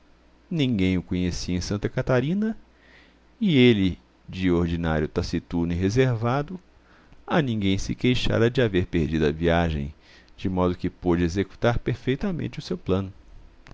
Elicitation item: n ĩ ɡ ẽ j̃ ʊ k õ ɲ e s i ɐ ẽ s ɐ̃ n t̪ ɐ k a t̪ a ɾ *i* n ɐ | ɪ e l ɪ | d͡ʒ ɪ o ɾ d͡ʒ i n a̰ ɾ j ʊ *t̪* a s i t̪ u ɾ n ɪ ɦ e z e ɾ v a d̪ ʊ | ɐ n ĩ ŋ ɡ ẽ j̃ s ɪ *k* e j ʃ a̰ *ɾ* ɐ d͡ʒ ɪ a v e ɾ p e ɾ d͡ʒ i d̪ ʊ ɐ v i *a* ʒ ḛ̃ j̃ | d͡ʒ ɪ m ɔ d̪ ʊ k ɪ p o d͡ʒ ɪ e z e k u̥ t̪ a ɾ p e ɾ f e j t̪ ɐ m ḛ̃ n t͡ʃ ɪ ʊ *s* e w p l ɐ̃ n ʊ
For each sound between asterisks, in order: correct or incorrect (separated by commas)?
incorrect, correct, correct, correct, correct, correct